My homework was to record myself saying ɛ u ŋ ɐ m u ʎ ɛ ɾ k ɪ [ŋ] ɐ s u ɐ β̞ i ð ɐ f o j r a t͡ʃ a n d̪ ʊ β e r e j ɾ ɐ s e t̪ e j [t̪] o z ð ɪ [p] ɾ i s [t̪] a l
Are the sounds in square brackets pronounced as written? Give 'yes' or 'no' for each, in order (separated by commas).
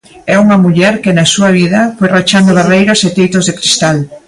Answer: no, yes, no, yes